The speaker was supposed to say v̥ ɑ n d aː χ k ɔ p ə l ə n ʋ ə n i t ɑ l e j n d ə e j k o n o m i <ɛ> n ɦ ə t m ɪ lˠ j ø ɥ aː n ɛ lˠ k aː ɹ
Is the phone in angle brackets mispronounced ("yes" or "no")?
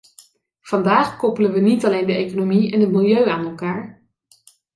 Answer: no